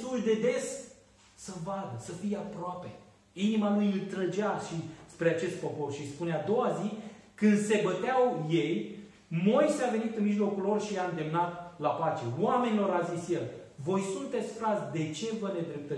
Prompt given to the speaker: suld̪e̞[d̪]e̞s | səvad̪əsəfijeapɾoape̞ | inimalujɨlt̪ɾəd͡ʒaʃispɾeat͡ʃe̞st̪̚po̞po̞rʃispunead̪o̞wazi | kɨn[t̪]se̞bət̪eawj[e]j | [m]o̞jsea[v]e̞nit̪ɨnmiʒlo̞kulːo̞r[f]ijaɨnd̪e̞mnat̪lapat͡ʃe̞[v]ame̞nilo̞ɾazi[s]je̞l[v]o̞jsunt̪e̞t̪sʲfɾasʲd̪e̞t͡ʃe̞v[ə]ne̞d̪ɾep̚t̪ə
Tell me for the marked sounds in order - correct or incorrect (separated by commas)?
correct, incorrect, correct, correct, correct, incorrect, incorrect, correct, correct, correct